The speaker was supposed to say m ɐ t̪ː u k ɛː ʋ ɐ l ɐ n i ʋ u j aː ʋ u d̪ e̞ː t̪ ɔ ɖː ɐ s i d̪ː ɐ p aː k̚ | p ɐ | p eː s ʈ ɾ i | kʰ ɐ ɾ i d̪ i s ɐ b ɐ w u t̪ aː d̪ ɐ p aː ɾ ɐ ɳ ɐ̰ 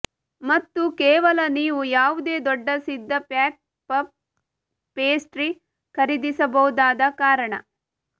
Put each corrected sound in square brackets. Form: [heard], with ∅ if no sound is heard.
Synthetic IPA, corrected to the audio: m ɐ t̪ː u k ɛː ʋ ɐ l ɐ n [iː] ʋ u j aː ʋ u d̪ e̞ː [d̪] ɔ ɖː ɐ s i d̪ː ɐ p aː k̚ | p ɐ | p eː s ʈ ɾ i | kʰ ɐ ɾ i d̪ i s ɐ b ɐ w u [d̪] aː d̪ ɐ [k] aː ɾ ɐ ɳ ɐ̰